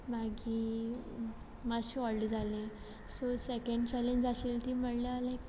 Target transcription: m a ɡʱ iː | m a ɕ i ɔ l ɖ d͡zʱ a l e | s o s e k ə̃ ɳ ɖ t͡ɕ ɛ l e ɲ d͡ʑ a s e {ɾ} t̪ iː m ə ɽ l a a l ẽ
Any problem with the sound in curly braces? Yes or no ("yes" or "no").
yes